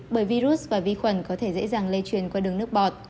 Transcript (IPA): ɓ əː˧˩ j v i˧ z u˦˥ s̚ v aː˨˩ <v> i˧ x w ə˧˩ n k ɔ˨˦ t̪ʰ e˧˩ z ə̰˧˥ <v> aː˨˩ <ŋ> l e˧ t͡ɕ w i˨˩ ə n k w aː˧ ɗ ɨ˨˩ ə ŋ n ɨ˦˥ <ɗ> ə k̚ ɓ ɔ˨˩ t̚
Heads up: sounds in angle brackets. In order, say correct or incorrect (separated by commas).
correct, incorrect, correct, incorrect